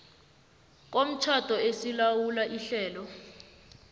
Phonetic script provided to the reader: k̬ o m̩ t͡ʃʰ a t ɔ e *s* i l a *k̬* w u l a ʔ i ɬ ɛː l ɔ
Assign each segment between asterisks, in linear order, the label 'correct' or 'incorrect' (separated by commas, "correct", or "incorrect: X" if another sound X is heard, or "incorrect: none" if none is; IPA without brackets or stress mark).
correct, incorrect: none